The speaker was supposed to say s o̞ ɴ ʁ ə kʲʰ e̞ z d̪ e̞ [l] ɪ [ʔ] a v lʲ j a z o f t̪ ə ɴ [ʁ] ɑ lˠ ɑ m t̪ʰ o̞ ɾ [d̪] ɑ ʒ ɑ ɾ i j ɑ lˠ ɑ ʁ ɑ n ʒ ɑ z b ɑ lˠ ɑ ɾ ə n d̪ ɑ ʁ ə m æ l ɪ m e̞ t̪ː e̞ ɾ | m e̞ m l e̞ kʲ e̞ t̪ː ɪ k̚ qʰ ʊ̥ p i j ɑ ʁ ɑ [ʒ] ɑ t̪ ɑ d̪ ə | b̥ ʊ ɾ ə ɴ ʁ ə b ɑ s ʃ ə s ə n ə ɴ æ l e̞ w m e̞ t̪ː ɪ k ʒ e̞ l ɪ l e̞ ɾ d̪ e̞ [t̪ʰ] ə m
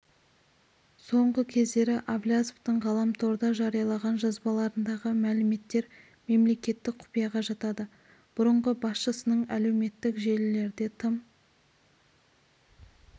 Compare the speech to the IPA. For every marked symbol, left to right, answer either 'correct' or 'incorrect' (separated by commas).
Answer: incorrect, correct, correct, correct, correct, correct